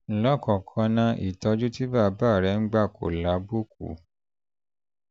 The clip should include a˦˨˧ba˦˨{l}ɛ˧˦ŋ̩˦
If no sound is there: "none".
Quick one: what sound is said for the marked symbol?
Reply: ɾ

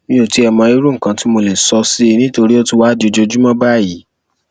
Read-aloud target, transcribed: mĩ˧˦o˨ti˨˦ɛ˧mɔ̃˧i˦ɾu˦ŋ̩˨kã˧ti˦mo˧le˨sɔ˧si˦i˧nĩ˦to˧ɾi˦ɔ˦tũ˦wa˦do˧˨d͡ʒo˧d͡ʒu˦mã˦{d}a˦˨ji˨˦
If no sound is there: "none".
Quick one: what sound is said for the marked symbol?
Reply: b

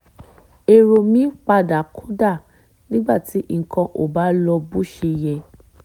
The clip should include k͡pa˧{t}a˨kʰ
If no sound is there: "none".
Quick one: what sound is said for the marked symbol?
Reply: d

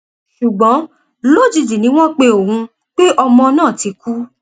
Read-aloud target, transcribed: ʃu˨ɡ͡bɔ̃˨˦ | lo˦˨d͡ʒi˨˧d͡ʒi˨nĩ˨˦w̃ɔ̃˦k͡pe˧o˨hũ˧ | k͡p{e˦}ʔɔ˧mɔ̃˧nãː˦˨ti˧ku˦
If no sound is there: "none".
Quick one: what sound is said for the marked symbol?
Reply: e˦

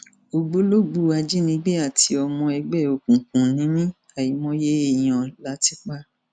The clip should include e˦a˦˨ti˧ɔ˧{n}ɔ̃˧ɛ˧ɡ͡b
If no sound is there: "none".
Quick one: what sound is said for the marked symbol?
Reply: m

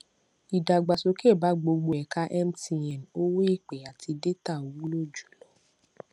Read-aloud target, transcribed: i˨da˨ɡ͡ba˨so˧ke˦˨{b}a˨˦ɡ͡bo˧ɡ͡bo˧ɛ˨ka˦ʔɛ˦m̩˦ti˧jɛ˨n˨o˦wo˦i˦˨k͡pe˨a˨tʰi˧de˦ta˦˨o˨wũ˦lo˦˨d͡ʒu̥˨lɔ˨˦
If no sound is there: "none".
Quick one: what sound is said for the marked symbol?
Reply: b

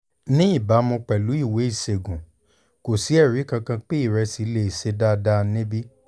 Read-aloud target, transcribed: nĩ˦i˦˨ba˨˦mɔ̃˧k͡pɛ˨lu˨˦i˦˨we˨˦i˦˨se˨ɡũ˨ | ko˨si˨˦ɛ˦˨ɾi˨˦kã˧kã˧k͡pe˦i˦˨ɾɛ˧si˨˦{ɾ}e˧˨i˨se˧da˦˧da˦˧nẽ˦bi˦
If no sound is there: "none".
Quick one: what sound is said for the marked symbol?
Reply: l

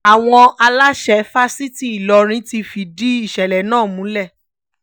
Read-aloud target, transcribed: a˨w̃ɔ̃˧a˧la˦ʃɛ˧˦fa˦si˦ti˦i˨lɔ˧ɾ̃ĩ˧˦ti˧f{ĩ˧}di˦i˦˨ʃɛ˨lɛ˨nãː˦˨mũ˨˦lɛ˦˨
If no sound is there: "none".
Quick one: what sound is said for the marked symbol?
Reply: i˧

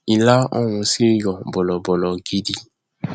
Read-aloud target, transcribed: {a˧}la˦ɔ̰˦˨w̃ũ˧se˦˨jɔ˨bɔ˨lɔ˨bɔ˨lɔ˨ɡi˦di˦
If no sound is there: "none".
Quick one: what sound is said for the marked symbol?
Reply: i˧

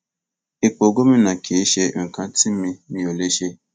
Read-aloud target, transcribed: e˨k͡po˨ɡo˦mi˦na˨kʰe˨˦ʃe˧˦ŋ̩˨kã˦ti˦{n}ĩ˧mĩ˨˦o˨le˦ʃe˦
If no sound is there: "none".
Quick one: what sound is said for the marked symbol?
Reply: m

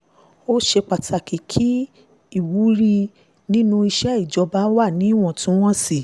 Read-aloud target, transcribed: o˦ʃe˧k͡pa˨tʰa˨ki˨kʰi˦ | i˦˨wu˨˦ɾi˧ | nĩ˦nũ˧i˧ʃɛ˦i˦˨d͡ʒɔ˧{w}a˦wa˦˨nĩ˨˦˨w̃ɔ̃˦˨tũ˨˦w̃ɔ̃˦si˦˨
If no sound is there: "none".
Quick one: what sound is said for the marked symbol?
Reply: b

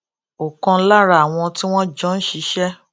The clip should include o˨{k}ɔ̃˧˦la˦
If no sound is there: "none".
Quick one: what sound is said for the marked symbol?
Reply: k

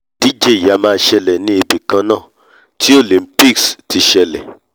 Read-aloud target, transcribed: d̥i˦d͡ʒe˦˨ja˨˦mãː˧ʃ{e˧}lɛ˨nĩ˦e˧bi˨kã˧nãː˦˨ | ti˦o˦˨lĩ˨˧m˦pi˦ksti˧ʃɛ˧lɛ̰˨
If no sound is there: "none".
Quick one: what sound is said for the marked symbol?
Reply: ɛ˧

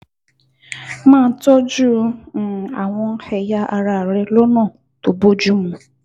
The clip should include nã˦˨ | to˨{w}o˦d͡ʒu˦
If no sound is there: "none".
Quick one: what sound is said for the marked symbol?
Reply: b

